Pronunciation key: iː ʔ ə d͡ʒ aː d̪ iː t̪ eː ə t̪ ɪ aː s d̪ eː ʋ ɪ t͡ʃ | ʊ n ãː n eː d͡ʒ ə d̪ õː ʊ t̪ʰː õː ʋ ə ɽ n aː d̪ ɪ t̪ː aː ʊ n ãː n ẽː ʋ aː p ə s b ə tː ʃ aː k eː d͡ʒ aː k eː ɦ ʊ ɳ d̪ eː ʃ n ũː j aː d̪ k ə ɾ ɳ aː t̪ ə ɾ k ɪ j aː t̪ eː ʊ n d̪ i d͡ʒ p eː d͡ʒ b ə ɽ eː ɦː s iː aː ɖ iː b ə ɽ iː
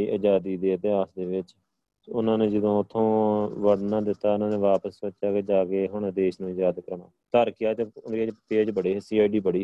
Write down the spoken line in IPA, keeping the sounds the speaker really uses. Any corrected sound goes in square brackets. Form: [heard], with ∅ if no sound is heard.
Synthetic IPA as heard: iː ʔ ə d͡ʒ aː d̪ iː [d̪] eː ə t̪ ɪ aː s d̪ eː ʋ ɪ t͡ʃ | ʊ n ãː n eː d͡ʒ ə d̪ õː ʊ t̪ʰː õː ʋ ə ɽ n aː d̪ ɪ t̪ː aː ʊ n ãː n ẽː ʋ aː p ə s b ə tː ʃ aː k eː d͡ʒ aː k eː ɦ ʊ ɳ d̪ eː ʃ n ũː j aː d̪ k ə ɾ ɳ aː t̪ ə ɾ k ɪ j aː t̪ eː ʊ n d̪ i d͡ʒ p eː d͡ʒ b ə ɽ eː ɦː s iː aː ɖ iː b ə ɽ iː